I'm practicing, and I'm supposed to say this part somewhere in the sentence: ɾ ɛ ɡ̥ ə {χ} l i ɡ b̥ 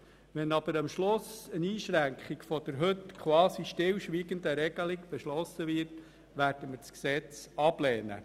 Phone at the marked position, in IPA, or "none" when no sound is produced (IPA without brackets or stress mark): none